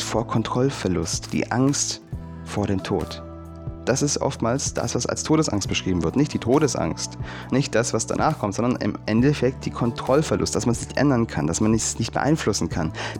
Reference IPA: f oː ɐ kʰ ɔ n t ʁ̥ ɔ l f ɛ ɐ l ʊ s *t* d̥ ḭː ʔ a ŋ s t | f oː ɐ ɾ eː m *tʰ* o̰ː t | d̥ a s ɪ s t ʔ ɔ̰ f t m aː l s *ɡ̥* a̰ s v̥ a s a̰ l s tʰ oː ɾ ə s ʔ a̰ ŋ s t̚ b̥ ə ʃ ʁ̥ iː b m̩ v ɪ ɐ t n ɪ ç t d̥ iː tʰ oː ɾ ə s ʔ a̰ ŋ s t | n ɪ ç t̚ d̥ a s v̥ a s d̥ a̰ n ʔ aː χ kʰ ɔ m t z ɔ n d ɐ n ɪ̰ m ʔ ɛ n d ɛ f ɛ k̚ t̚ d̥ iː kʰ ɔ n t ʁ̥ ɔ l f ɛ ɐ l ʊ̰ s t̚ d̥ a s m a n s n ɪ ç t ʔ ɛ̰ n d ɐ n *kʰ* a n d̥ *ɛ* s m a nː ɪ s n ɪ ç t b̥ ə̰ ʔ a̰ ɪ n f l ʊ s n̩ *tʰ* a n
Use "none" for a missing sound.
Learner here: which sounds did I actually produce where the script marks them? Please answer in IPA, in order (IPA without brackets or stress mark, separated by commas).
t, tʰ, d̥, kʰ, a, kʰ